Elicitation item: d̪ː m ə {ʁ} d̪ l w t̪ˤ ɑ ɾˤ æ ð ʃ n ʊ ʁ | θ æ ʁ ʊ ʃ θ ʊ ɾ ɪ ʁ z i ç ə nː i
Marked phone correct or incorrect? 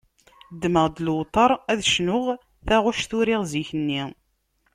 correct